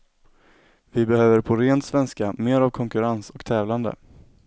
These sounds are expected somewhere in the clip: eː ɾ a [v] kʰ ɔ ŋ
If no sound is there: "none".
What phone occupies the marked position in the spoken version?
v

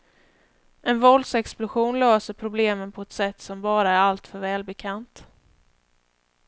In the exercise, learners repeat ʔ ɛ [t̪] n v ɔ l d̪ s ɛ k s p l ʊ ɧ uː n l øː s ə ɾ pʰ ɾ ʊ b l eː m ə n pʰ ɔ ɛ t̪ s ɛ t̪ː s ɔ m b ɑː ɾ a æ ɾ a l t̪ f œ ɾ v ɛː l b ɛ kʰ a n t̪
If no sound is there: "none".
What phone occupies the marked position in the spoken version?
none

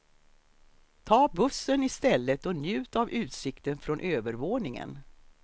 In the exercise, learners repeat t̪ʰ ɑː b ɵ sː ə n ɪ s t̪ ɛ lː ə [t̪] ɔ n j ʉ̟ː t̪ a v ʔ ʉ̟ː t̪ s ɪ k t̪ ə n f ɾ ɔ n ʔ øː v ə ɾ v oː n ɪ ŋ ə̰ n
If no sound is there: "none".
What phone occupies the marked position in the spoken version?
t̪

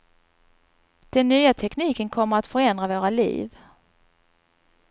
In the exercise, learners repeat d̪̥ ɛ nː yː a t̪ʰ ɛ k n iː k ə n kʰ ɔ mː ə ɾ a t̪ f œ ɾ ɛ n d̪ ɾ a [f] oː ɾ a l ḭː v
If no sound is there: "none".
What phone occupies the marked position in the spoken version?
v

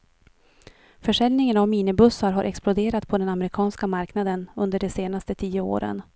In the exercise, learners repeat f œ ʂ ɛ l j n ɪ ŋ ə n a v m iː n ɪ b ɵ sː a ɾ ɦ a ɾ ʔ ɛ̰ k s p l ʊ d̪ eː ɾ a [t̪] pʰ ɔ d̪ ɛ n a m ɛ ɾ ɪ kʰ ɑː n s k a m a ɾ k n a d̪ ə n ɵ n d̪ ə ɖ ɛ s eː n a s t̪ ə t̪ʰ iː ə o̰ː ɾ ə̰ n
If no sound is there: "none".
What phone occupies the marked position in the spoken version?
t̪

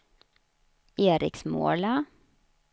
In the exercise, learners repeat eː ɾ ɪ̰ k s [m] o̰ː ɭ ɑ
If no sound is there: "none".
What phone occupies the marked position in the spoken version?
m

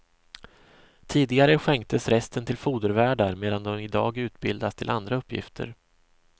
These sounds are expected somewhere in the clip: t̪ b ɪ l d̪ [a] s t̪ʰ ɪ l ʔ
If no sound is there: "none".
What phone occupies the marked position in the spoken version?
a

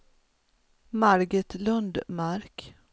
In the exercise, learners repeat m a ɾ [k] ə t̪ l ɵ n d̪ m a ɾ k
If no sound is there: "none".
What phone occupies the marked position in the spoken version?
ɡ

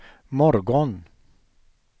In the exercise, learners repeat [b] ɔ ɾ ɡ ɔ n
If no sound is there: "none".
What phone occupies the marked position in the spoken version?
m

